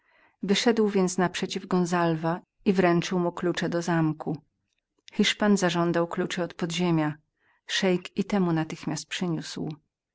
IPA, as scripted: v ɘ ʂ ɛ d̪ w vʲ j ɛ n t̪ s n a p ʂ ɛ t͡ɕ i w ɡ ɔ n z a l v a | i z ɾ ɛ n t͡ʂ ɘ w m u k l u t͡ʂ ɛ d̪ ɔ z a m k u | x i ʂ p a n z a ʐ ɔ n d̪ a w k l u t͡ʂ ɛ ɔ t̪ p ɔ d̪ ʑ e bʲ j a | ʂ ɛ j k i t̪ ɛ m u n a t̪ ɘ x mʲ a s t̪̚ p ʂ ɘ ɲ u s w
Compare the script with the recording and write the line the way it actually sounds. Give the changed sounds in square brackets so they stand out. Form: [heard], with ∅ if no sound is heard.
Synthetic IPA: v ɘ ʂ ɛ d̪ w vʲ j ɛ n t̪ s n a p ʂ ɛ t͡ɕ i [v] ɡ ɔ n z a l v a | i [v] ɾ ɛ n t͡ʂ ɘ w m u k l u t͡ʂ ɛ d̪ ɔ z a m k u | x i ʂ p a n z a ʐ ɔ n d̪ a w k l u t͡ʂ ɛ ɔ t̪ p ɔ d̪ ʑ e [mʲ] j a | ʂ ɛ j k i t̪ ɛ m u n a t̪ ɘ x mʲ a s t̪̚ p ʂ ɘ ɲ u s w